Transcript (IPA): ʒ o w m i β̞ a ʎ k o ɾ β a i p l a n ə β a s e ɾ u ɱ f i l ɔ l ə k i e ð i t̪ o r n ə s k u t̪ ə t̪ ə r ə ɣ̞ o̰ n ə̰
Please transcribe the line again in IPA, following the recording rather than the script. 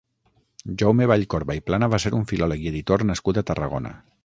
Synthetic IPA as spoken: ʒ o w m e β̞ a ʎ k o ɾ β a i p l a n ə β a s e ɾ u ɱ f i l ɔ l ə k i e ð i t̪ o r n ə s k u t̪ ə t̪ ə r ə ɣ̞ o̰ n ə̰